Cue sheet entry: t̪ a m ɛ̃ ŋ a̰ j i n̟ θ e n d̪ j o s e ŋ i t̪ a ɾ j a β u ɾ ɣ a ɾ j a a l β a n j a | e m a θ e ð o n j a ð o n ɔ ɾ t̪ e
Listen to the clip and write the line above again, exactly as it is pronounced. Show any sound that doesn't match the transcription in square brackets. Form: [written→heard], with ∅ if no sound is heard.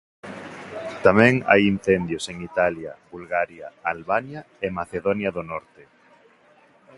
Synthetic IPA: t̪ a m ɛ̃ ŋ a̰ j i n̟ θ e n d̪ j o s e ŋ i t̪ a [ɾ→l] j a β u [ɾ→l] ɣ a ɾ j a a l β a n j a | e m a θ e ð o n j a ð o n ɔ ɾ t̪ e